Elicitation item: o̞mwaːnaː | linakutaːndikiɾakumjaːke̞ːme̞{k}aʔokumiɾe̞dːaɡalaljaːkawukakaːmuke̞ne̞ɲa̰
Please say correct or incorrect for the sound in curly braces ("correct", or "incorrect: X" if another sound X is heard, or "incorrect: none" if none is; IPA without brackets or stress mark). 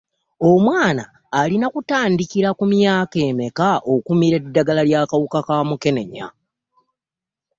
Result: correct